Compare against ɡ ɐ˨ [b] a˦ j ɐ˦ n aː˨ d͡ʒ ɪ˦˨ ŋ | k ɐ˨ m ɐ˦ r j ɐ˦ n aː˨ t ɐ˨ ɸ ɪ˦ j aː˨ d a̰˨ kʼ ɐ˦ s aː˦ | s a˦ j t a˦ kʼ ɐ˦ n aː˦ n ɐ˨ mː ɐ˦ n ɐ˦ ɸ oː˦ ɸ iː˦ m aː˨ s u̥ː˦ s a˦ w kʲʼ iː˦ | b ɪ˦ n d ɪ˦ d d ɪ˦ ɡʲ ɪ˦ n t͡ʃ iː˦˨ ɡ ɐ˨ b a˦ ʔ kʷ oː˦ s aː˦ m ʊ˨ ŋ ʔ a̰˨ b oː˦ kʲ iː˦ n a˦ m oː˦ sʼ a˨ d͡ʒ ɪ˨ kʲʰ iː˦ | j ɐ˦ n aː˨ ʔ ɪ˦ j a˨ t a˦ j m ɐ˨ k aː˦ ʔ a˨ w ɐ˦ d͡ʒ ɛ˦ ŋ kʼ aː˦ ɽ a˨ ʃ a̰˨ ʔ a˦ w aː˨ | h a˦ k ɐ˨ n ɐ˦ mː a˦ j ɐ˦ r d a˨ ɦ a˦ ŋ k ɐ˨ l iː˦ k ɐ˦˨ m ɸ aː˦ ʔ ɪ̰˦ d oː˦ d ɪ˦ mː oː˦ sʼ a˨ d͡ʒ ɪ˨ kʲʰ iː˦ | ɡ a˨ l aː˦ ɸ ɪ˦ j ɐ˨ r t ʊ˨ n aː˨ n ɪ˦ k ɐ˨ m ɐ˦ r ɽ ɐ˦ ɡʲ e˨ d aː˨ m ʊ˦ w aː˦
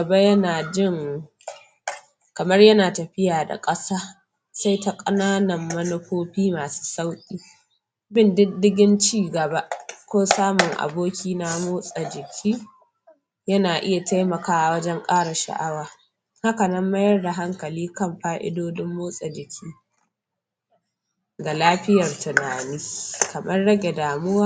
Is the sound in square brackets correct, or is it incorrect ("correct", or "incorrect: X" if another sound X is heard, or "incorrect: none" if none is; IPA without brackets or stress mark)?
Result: correct